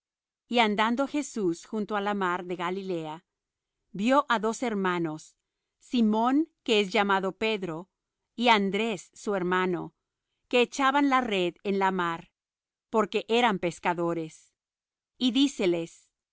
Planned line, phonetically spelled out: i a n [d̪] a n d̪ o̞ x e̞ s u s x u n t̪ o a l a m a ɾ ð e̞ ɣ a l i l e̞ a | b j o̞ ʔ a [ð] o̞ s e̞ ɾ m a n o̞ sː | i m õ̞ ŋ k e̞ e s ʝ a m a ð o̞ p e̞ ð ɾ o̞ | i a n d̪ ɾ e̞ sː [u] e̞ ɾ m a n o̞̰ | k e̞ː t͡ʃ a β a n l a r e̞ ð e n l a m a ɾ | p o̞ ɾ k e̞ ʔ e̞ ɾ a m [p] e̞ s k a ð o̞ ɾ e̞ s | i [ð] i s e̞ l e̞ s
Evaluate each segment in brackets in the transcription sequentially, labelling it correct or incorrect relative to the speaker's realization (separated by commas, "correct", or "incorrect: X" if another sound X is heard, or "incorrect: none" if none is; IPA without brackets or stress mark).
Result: correct, correct, correct, correct, correct